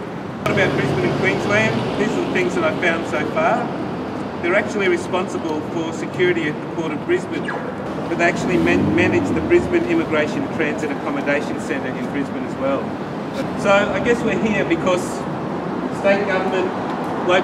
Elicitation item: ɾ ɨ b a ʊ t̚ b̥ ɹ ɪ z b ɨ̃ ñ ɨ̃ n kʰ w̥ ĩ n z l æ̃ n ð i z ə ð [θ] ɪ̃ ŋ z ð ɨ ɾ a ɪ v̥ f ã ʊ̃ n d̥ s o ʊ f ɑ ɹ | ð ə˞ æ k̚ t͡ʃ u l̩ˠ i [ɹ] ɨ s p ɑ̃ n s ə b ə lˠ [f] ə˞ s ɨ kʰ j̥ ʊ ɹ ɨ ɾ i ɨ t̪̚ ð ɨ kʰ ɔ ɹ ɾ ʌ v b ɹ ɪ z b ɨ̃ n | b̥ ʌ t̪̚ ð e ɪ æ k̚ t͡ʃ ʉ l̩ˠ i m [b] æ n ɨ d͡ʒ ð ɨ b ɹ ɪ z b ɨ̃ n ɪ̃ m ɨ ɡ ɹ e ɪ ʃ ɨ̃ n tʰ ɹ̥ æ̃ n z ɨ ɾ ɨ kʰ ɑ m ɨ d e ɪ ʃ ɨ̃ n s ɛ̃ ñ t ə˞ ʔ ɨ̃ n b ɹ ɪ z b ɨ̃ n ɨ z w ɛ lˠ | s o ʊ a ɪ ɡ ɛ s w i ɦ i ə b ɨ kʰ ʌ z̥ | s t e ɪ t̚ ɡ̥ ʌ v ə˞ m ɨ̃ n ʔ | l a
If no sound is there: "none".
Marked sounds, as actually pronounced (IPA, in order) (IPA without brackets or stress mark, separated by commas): θ, ɹ, f, m